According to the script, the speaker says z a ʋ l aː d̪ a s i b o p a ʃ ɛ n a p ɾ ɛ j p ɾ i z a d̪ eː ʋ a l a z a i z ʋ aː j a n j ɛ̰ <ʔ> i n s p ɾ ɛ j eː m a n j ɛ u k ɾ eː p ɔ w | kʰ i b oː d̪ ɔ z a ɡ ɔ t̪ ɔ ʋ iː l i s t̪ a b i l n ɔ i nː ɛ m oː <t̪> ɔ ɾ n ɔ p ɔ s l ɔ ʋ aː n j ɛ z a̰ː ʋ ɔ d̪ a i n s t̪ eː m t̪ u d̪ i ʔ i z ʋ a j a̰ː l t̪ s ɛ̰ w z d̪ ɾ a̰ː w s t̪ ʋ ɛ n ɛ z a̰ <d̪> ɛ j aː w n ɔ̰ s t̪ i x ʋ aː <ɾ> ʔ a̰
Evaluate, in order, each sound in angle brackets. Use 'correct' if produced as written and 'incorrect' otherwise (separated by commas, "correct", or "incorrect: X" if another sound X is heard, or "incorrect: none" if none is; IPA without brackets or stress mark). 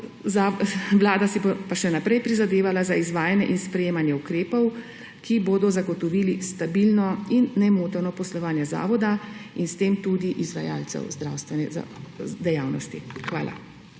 correct, correct, correct, incorrect: l